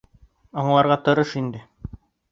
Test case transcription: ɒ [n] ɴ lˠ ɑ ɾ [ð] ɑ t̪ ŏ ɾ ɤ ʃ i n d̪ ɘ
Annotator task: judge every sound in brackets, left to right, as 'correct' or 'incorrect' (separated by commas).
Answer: incorrect, incorrect